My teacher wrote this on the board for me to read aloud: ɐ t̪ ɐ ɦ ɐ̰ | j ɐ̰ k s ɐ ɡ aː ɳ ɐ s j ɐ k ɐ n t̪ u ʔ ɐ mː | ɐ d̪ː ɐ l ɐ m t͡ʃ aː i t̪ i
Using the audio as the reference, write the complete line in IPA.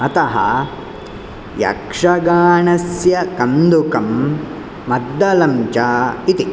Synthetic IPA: ɐ t̪ ɐ ɦ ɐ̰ | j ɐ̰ k ʂ ɐ ɡ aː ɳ ɐ s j ɐ k ɐ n d̪ u k ɐ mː | ɐ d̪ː ɐ l ɐ m t͡ʃ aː i t̪ i